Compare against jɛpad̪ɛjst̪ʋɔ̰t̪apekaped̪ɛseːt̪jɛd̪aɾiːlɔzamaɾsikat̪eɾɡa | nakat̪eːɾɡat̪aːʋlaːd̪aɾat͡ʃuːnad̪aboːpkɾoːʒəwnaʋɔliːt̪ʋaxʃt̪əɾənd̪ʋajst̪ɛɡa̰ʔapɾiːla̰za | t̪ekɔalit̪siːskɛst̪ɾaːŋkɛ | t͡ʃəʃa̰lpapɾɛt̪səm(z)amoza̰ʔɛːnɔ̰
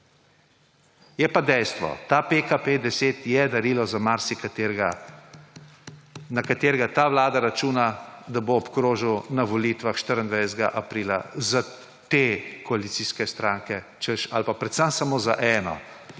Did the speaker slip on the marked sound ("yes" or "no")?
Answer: yes